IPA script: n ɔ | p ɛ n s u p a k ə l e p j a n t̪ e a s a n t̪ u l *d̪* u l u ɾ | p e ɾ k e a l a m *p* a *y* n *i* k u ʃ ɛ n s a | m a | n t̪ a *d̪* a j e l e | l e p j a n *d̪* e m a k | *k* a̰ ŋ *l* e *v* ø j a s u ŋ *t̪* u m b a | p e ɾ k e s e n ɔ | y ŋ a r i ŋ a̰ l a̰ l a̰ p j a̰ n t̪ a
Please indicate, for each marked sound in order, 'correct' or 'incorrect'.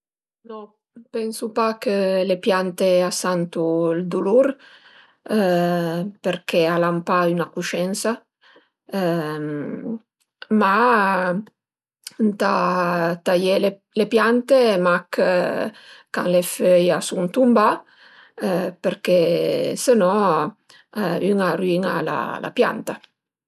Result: correct, correct, correct, incorrect: a, incorrect: t̪, incorrect: t̪, correct, correct, incorrect: f, correct

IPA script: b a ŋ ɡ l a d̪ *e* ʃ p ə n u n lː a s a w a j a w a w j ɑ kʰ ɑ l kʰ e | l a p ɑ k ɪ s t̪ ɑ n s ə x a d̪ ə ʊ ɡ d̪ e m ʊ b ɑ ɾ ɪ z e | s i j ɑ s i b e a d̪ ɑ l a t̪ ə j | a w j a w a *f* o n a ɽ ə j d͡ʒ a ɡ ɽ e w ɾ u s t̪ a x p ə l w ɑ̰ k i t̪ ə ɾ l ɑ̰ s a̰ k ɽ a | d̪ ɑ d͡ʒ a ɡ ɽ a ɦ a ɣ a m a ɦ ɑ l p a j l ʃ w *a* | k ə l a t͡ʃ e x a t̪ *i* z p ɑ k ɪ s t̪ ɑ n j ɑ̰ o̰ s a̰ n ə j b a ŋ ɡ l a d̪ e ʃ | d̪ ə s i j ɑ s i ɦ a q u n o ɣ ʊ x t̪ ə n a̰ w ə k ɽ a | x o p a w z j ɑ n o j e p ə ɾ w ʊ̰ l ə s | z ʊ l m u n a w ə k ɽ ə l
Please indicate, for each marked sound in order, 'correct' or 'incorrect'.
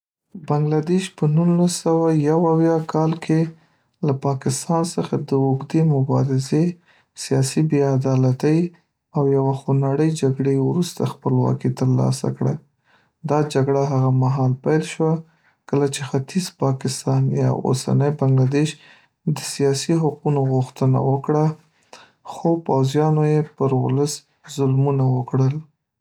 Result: correct, incorrect: x, correct, correct

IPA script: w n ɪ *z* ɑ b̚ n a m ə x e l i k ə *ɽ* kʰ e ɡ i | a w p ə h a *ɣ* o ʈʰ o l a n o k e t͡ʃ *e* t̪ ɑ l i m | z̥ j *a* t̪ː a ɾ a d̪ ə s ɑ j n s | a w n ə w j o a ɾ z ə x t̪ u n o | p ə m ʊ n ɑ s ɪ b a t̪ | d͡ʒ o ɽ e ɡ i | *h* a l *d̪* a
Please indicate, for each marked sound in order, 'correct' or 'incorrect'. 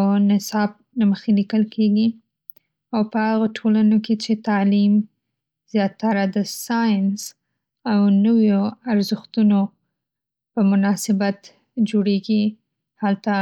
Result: incorrect: s, incorrect: l, correct, correct, incorrect: ɑ, correct, incorrect: t̪

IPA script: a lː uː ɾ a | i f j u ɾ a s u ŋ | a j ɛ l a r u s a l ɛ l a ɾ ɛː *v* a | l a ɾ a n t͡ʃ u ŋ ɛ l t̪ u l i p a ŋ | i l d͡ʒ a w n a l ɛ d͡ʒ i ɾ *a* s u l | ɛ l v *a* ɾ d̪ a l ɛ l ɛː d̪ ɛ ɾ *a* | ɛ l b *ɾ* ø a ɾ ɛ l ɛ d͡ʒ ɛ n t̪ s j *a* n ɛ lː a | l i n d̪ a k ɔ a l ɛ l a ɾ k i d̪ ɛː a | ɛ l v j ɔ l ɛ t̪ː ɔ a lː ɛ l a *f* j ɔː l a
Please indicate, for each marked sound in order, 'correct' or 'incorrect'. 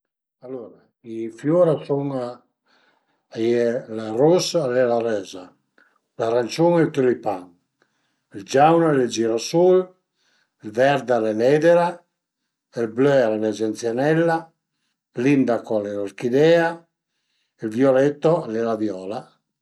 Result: incorrect: z, correct, incorrect: ɛ, correct, incorrect: l, correct, incorrect: v

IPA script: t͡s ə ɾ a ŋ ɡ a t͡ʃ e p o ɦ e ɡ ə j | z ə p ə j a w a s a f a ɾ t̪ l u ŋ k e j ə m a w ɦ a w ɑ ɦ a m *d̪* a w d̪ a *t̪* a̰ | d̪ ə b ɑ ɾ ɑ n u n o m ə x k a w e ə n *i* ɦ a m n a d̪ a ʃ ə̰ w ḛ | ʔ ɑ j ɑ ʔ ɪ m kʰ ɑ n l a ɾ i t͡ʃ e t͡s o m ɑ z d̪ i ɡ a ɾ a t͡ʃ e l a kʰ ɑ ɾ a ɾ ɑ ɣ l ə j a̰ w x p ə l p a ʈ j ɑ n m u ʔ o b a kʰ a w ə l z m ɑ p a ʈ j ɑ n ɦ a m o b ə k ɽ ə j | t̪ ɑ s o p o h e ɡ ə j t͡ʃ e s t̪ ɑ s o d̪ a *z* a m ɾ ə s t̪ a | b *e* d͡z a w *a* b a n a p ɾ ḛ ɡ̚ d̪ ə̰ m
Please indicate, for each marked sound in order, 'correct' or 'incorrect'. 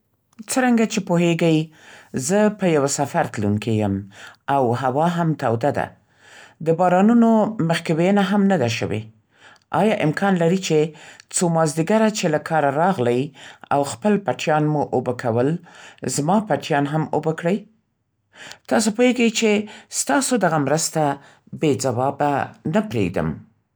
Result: incorrect: t̪, incorrect: d̪, incorrect: a, incorrect: ɣ, correct, incorrect: ɑ

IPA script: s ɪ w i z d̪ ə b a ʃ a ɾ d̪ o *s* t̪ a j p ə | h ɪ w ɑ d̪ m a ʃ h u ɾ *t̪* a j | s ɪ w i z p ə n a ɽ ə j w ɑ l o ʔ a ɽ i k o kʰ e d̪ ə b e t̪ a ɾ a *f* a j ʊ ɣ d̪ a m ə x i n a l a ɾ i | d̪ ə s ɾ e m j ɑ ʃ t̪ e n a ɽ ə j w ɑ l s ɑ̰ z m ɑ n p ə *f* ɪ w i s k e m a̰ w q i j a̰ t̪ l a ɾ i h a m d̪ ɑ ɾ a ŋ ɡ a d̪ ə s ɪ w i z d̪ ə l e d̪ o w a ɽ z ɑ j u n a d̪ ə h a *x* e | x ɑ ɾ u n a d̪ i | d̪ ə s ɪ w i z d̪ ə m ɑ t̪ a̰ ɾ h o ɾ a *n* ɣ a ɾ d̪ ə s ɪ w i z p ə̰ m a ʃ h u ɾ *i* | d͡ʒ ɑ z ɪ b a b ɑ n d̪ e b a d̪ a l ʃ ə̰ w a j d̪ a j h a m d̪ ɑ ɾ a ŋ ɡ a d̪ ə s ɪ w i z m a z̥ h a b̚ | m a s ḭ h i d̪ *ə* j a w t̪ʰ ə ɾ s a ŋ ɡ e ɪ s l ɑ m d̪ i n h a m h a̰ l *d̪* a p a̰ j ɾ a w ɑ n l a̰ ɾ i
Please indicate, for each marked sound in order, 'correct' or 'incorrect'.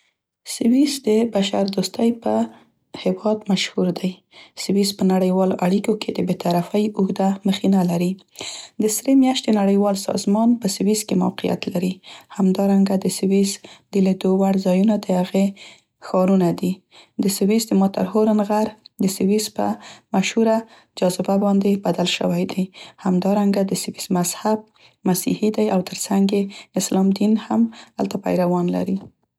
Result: correct, incorrect: d̪, correct, incorrect: s, incorrect: ɣ, correct, incorrect: a, incorrect: a, incorrect: t̪

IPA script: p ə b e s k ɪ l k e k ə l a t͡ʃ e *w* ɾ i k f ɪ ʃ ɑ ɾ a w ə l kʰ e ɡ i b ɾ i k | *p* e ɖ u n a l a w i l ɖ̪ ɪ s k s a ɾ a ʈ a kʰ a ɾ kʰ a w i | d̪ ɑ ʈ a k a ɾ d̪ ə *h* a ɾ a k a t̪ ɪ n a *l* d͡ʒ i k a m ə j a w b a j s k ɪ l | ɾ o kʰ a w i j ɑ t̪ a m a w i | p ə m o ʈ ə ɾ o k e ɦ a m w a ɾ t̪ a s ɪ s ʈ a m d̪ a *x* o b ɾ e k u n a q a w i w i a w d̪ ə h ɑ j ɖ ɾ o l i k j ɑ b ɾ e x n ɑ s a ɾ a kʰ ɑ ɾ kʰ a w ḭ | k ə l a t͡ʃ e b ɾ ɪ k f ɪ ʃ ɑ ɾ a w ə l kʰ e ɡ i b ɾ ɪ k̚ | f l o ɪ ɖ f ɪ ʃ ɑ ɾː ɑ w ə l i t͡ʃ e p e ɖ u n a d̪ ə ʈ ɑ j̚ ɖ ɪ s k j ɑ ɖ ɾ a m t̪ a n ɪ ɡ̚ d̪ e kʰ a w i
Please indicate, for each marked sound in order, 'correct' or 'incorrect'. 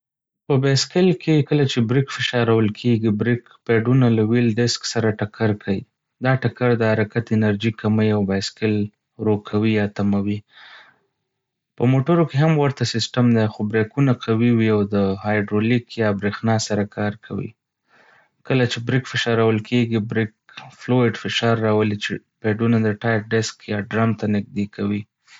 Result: incorrect: b, correct, correct, incorrect: ɾ, correct

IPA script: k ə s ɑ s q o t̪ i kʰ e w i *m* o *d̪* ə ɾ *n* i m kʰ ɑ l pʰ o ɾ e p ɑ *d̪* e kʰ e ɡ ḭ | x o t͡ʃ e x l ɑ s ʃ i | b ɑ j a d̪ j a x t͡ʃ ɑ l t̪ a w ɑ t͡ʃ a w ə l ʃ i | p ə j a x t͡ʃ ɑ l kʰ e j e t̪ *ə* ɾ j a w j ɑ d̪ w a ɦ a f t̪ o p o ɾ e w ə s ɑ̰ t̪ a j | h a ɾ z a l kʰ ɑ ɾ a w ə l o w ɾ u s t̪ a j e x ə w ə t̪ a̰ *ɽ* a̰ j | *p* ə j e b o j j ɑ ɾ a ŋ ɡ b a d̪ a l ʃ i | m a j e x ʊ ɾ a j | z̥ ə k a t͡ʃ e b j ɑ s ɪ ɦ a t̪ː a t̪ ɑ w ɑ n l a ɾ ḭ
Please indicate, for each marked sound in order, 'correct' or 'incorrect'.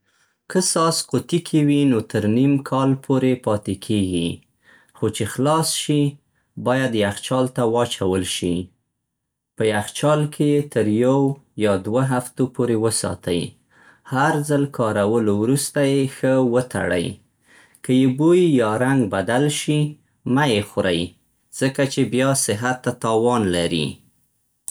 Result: incorrect: n, incorrect: t̪, correct, incorrect: t̪, correct, correct, incorrect: k

